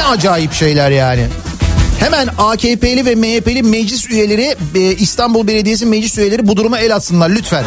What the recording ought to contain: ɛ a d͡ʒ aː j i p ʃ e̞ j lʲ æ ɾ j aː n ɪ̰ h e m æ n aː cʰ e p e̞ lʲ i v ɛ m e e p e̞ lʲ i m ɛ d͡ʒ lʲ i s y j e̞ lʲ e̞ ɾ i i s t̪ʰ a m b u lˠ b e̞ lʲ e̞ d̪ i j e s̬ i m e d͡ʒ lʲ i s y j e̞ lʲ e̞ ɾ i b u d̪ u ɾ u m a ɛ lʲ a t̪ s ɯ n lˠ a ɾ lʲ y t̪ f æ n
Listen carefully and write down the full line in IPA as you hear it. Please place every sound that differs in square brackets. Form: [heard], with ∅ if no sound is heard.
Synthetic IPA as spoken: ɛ a d͡ʒ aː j i p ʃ e̞ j lʲ æ ɾ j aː n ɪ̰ h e m æ n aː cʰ e p e̞ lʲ i v ɛ m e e p e̞ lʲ i m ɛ d͡ʒ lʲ i s y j e̞ lʲ e̞ ɾ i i s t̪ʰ a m b u lˠ b e̞ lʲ e̞ d̪ i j e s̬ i m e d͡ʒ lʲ i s y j e̞ lʲ e̞ ɾ i b u d̪ u ɾ u m a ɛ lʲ a t̪ s ɯ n lˠ a ɾ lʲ y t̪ f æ n